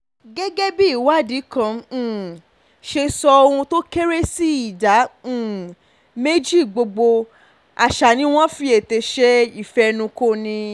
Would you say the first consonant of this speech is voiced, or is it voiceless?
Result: voiced